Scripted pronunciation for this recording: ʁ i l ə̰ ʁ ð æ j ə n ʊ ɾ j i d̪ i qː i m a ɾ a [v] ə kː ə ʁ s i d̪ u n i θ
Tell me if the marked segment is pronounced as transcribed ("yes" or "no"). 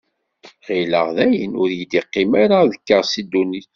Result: no